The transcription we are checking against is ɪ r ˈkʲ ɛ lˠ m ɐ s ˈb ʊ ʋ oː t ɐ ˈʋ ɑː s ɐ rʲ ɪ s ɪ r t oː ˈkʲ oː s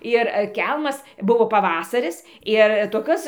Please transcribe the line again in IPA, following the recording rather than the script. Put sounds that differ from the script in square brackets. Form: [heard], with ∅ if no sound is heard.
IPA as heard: ɪ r ˈkʲ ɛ lˠ m ɐ s ˈb ʊ ʋ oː [p] ɐ ˈʋ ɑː s ɐ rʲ ɪ s ɪ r t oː ˈkʲ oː s